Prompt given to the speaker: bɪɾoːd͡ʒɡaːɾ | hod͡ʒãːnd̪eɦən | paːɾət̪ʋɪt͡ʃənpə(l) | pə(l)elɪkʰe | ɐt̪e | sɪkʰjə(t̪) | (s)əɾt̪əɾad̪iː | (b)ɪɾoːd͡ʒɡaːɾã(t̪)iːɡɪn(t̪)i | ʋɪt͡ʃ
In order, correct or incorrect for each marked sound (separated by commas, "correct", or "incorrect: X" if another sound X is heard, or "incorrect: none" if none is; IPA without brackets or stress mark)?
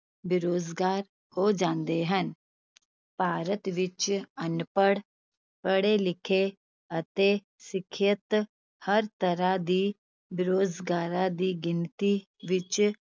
incorrect: ɽ, incorrect: ɽ, correct, incorrect: h, correct, incorrect: d̪, correct